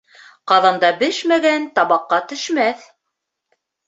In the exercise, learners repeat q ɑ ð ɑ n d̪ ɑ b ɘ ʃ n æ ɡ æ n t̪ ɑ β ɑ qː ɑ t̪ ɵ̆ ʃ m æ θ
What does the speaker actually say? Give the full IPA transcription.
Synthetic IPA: q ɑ ð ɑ n d̪ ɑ b ɘ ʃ m æ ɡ æ n t̪ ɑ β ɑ qː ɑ t̪ ɵ̆ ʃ m æ θ